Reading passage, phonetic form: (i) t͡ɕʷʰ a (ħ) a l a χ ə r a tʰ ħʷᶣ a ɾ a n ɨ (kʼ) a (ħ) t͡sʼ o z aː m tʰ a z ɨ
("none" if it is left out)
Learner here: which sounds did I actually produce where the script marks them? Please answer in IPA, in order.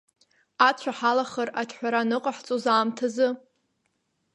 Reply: a, ħ, qʼ, ħ

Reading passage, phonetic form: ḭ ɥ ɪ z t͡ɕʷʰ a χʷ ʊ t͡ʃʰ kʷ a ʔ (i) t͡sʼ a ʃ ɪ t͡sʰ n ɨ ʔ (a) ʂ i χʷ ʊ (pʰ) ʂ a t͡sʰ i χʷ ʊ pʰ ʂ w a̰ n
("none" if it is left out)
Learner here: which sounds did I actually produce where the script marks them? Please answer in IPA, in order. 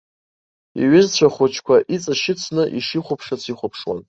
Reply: i, i, pʰ

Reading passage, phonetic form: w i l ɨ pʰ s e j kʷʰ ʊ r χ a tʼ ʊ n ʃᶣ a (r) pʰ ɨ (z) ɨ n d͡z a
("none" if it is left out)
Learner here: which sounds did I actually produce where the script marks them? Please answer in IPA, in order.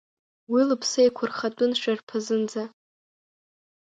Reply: r, z

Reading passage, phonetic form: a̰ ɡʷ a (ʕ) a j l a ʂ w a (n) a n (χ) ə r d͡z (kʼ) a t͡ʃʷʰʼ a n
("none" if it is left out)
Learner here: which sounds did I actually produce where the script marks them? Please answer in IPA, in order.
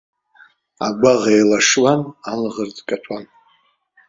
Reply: ʁ, n, ʁ, kʼ

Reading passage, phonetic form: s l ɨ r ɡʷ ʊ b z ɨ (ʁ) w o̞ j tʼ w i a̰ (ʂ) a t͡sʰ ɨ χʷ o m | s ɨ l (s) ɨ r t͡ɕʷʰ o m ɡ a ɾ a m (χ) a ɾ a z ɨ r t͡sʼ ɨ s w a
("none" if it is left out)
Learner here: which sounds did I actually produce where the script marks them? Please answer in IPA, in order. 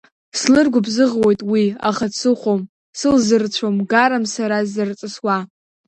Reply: ʁ, χ, z, s

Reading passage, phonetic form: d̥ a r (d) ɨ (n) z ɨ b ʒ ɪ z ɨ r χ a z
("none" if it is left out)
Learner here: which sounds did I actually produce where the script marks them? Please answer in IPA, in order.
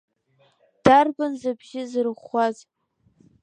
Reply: b, n

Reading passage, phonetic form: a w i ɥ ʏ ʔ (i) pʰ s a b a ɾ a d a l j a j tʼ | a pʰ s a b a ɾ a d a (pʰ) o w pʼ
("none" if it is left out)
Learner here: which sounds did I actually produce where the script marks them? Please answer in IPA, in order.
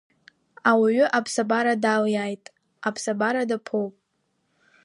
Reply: a, pʰ

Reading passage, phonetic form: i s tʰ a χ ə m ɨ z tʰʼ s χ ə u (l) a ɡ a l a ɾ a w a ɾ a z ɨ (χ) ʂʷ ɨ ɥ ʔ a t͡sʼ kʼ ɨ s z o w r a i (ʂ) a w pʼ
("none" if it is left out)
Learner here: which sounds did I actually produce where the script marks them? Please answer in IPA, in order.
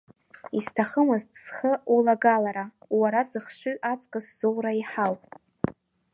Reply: l, χ, ħ

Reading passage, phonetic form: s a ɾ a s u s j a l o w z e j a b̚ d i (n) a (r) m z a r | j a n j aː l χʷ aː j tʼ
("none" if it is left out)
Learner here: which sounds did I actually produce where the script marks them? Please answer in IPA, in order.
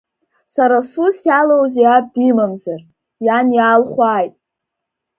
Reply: m, none

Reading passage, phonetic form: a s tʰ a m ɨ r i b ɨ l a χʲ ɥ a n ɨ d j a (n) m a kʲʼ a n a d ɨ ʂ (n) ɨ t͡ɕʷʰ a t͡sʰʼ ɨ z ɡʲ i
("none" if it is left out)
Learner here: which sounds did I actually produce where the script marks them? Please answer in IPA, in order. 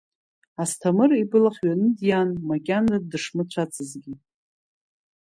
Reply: n, m

